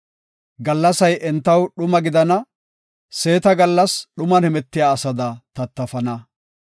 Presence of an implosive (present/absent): present